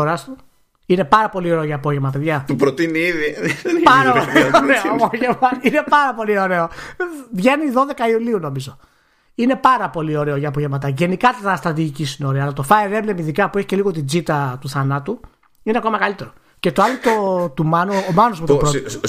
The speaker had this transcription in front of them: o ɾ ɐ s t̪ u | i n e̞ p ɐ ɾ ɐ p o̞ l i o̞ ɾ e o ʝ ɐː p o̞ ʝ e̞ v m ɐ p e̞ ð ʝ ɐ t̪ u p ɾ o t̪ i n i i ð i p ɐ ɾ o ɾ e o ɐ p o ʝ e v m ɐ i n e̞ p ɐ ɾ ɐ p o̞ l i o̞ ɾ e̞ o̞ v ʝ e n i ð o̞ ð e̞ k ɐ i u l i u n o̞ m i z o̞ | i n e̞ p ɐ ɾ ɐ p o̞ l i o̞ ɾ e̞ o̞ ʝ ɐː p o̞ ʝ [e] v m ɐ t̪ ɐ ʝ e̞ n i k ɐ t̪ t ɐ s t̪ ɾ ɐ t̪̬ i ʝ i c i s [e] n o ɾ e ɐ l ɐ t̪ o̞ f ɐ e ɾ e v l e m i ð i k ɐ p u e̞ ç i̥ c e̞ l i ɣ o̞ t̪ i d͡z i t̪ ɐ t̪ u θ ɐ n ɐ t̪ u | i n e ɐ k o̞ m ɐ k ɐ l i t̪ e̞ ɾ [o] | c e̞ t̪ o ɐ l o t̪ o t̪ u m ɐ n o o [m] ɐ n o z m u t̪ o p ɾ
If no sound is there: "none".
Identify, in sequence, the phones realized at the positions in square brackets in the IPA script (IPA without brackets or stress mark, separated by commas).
e, i, o, m